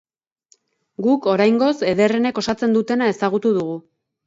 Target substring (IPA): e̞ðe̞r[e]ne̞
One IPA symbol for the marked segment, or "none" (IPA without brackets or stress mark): e